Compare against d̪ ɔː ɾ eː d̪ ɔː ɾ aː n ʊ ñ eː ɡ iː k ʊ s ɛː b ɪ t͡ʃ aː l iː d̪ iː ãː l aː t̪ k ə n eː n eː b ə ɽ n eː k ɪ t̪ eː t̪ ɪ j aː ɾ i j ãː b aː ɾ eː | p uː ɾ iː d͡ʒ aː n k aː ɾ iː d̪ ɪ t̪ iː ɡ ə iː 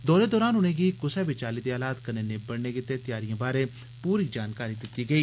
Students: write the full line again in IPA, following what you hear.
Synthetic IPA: d̪ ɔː ɾ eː d̪ ɔː ɾ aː n ʊ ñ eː ɡ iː k ʊ s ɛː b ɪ t͡ʃ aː l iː d̪ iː aː l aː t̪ k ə n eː n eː b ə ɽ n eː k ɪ t̪ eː t̪ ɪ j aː ɾ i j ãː b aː ɾ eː | p uː ɾ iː d͡ʒ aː n k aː ɾ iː d̪ ɪ t̪ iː ɡ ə iː